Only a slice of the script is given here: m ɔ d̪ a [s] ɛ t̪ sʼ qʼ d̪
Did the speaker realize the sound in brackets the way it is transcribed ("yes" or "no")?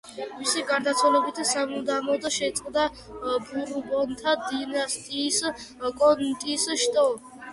no